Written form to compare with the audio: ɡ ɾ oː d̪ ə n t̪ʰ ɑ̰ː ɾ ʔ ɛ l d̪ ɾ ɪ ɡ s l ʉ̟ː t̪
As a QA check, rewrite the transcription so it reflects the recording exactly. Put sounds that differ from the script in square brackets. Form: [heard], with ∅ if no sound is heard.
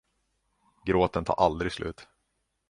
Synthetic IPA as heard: ɡ ɾ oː [t̪] ə n t̪ʰ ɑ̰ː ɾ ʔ [a] l d̪ ɾ ɪ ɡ s l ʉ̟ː t̪